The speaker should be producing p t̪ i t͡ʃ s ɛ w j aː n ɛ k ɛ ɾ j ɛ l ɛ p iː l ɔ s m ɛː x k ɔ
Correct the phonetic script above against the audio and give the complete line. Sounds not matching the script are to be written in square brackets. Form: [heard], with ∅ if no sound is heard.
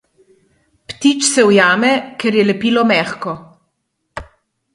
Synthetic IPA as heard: p t̪ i t͡ʃ s ɛ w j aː [m] ɛ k ɛ ɾ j ɛ l ɛ p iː l ɔ [∅] m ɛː x k ɔ